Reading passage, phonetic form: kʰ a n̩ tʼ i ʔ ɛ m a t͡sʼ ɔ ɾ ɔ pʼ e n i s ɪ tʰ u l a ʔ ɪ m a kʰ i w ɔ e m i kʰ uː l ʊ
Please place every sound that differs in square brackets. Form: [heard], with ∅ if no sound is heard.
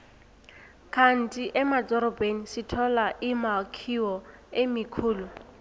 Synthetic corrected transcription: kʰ a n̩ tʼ i ʔ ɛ m a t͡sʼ ɔ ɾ ɔ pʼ e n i s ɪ tʰ [ɔ] l a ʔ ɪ m a kʰ i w ɔ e m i kʰ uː l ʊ